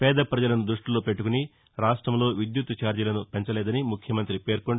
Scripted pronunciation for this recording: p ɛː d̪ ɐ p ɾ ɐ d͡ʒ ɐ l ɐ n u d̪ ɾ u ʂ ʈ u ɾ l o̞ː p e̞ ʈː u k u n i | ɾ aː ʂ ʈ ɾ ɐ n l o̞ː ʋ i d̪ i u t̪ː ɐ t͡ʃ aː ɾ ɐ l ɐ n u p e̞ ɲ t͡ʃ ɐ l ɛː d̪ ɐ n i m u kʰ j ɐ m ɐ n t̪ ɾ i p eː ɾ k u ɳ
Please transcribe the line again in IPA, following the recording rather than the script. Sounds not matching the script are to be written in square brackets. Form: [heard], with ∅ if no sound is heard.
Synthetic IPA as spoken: p ɛː d̪ ɐ p ɾ ɐ d͡ʒ ɐ l ɐ n u d̪ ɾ u ʂ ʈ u [∅] l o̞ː p e̞ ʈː u k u n i | ɾ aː ʂ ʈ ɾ ɐ [m] l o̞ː ʋ i d̪ [j] u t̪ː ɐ t͡ʃ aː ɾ ɐ l ɐ n u p e̞ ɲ t͡ʃ ɐ l ɛː d̪ ɐ n i m u kʰ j ɐ m ɐ n t̪ ɾ i p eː ɾ k [o] ɳ